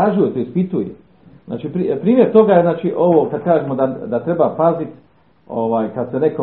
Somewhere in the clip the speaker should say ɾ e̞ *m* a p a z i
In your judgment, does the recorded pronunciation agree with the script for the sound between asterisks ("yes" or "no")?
no